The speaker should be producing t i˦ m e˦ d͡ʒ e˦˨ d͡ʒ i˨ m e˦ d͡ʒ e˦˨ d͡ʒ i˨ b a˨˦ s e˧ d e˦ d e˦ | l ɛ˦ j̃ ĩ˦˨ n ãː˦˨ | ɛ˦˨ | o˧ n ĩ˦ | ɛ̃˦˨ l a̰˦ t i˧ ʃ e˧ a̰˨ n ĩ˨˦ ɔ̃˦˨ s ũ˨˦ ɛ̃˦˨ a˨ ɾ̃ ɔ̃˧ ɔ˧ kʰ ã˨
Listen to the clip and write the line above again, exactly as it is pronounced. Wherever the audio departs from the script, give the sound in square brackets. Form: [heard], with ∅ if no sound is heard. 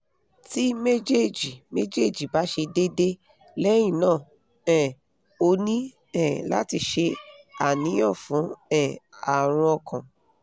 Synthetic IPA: t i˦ m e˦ d͡ʒ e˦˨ d͡ʒ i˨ m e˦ d͡ʒ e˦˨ d͡ʒ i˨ b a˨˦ [ʃ] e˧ d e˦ d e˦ | l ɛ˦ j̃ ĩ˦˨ n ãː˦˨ | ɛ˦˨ | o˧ n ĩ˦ | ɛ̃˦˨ l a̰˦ t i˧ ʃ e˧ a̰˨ n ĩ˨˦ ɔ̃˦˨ [f] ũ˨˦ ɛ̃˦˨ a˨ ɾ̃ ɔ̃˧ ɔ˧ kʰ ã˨